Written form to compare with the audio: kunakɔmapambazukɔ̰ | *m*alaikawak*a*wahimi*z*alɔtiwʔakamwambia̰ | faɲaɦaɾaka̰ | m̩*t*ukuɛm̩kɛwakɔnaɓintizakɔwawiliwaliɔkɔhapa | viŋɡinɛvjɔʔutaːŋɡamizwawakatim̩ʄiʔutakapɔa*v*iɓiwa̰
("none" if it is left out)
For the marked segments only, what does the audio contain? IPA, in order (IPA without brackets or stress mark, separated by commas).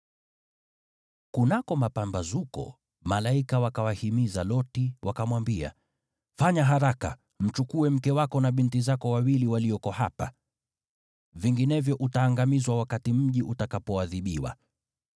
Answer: m, a, z, t͡ʃ, ð